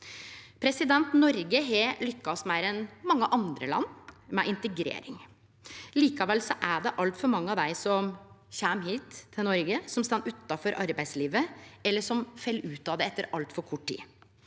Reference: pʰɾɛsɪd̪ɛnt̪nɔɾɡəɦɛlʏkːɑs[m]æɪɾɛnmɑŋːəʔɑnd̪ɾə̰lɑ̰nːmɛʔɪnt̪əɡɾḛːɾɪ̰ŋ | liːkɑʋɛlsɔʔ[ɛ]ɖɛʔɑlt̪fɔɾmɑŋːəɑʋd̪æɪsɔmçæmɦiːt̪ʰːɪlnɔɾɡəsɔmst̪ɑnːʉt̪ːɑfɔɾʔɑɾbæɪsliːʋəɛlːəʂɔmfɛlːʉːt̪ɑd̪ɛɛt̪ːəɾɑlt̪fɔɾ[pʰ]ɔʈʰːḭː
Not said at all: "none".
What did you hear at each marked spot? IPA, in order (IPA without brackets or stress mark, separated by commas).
m, æ, kʰ